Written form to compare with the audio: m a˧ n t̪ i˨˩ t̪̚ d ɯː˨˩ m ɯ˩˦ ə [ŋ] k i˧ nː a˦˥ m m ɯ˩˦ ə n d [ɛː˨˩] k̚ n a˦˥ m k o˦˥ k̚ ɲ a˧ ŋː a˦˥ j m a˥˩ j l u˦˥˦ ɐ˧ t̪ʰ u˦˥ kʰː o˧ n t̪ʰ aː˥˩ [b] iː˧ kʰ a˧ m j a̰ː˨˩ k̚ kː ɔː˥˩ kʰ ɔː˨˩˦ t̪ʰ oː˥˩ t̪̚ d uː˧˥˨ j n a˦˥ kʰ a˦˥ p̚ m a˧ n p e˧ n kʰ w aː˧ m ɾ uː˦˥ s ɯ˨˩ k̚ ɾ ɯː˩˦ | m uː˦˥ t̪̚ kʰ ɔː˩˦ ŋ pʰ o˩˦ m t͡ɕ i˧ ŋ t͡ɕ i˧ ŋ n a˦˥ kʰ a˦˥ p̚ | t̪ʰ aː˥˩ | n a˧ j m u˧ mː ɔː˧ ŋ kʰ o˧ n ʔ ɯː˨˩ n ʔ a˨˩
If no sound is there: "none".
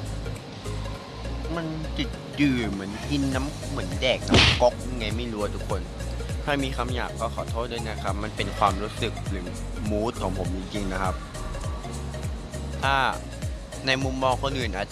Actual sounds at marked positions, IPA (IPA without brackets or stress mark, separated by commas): n, ɛː˨˩, m